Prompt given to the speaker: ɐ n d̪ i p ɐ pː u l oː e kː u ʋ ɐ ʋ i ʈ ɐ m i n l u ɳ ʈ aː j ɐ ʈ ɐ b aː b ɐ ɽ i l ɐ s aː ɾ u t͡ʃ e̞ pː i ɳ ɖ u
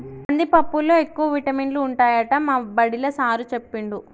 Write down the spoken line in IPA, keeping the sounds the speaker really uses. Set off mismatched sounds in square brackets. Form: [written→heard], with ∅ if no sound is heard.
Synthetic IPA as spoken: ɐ n d̪ i p ɐ pː u l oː e kː u ʋ ɐ ʋ i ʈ ɐ m i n l [u→uː] ɳ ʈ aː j ɐ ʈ ɐ [b→m] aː b ɐ ɽ i l ɐ s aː ɾ u t͡ʃ e̞ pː i ɳ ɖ u